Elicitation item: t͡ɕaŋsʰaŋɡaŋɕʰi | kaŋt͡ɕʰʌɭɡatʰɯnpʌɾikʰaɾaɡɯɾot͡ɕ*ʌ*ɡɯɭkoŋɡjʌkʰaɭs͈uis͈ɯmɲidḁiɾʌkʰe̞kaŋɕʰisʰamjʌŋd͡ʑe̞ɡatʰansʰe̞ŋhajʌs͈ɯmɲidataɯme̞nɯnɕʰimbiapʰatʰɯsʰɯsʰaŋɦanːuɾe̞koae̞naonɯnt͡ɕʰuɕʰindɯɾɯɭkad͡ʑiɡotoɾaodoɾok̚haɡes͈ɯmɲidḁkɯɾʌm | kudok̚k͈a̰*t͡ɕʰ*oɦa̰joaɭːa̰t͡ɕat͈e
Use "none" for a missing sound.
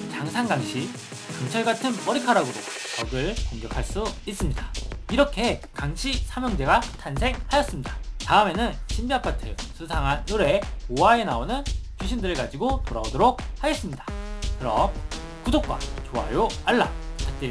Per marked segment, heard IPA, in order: ʌ, t͡ɕ

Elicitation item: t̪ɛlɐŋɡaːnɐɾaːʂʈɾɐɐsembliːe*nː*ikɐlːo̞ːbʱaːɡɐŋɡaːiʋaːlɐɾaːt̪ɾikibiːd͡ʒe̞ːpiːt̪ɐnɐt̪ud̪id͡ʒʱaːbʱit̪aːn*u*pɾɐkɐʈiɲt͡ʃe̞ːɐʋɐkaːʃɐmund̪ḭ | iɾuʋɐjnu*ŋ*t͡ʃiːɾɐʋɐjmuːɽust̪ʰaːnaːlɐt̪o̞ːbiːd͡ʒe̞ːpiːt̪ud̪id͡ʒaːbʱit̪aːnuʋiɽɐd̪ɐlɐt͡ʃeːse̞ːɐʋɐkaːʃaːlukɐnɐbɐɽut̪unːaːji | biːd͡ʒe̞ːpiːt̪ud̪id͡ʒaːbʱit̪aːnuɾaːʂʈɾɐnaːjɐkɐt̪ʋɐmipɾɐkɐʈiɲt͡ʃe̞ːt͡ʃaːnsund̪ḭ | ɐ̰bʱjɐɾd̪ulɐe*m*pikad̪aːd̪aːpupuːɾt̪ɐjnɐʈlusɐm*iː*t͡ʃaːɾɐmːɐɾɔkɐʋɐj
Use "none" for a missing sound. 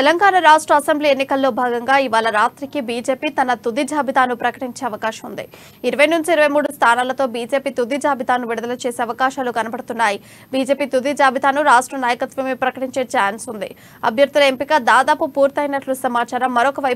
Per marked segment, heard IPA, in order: nː, u, ɲ, m, aː

